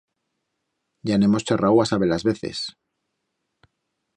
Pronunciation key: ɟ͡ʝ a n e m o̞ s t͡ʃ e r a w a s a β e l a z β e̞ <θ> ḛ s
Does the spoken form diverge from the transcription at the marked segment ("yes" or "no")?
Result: no